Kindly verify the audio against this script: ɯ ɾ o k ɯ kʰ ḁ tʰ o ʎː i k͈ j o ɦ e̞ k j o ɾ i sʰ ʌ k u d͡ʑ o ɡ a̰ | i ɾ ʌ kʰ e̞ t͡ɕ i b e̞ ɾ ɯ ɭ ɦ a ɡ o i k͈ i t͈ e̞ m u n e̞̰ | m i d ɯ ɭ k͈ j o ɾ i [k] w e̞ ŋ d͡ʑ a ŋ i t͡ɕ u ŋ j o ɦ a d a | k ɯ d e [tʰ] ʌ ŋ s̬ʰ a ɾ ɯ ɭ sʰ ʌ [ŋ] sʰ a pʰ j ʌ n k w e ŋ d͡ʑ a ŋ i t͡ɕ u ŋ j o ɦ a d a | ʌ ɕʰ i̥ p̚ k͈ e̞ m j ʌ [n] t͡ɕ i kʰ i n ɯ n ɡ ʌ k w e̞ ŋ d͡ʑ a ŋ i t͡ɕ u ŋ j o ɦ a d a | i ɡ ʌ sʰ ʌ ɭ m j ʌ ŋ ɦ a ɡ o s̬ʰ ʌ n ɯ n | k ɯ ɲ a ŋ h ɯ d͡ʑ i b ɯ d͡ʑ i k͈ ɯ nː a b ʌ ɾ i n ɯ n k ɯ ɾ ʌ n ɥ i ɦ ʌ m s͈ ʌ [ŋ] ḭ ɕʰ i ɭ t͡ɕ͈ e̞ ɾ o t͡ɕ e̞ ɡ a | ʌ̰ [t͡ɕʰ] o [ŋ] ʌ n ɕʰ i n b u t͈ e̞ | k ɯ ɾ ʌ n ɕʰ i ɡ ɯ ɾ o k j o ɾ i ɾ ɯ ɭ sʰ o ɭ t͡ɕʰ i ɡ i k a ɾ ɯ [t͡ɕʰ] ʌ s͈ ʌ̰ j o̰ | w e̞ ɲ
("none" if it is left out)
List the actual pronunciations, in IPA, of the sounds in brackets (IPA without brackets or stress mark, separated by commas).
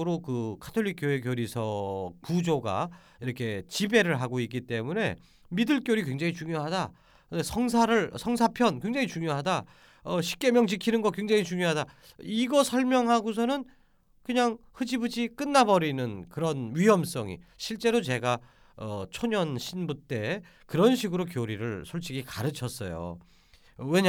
k, sʰ, ŋ, ŋ, ŋ, t͡ɕʰ, ɲ, t͡ɕʰ